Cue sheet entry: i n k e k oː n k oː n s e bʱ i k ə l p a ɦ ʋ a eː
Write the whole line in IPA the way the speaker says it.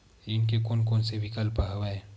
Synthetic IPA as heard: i n k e k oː n k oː n s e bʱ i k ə l p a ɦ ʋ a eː

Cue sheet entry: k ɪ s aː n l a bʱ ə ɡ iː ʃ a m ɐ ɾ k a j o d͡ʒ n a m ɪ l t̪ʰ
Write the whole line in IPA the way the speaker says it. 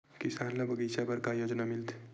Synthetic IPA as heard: k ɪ s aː n l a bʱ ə ɡ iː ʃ a b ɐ ɾ k a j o d͡ʒ n a m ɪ l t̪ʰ

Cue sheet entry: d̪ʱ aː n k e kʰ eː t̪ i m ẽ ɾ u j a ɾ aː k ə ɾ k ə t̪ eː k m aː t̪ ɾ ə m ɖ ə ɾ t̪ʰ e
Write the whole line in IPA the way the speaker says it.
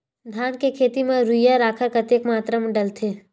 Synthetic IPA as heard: d̪ʱ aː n k e kʰ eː t̪ i m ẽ ɾ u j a ɾ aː kʰ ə ɾ k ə t̪ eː k m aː t̪ ɾ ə m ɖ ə l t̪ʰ e

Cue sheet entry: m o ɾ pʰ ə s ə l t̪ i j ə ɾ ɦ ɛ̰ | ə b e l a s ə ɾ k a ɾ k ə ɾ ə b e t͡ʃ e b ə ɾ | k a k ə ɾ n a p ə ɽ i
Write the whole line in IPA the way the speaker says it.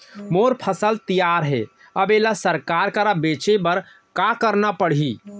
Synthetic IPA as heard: m o ɾ pʰ ə s ə l t̪ i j a ɾ ɦ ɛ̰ | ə b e l a s ə ɾ k a ɾ k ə ɾ a b e t͡ʃ e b ə ɾ | k a k ə ɾ n a p ə ɽ i

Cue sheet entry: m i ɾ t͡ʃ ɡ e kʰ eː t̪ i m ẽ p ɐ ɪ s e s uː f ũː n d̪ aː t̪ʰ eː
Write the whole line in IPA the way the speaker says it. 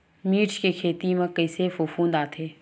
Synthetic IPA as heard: m iː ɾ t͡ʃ k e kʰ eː t̪ i m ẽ k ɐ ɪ s e f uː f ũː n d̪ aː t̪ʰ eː

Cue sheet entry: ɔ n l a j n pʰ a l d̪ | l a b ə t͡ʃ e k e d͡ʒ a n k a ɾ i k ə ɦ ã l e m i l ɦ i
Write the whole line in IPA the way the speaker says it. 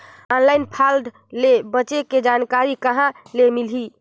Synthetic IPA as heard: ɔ n l a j n pʰ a l d̪ | l e b ə t͡ʃ e k e d͡ʒ a n k a ɾ i k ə ɦ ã l e m i l ɦ i

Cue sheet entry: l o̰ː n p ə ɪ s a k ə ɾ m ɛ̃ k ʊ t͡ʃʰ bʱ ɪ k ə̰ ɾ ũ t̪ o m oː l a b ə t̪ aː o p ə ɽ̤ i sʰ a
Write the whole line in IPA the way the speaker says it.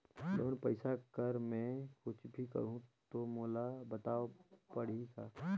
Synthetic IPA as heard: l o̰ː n p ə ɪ s a k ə ɾ m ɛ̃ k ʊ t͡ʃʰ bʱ i k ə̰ ɾ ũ t̪ o m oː l a b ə t̪ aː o p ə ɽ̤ i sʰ a

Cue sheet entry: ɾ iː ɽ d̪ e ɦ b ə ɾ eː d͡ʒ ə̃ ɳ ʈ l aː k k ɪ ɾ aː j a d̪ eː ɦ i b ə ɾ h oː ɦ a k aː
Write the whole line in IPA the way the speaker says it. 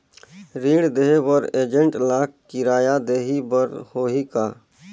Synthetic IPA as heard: ɾ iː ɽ d̪ e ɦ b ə ɾ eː d͡ʒ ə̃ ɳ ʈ l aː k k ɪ ɾ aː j a d̪ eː ɦ i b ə ɾ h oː ɦ i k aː

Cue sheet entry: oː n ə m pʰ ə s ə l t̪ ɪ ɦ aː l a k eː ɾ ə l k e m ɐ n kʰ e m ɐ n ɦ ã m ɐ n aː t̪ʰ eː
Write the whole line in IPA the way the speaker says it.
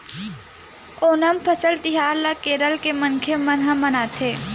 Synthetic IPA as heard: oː n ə m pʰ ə s ə l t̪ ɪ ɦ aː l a k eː ɾ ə l k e m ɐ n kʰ e m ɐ n ɦ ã m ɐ n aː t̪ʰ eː

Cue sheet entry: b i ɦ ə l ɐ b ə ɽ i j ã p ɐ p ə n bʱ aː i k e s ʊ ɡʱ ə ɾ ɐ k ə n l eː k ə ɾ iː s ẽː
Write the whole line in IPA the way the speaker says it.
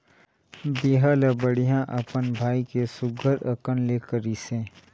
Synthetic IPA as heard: b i ɦ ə l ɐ b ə ɽ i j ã ʔ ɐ p ə n bʱ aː i k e s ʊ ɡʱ ə ɾ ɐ k ə n l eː k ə ɾ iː s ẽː

